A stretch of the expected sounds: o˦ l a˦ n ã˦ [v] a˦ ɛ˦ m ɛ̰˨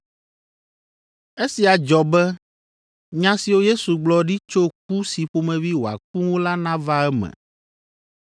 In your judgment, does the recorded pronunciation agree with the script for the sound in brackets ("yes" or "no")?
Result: yes